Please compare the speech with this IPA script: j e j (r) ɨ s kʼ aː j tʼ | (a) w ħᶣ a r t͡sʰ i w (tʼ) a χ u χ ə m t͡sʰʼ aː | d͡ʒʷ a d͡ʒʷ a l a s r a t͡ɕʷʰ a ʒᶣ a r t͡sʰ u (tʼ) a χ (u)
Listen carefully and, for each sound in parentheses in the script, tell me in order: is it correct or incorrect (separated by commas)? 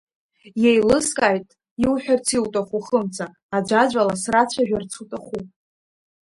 incorrect, incorrect, correct, correct, correct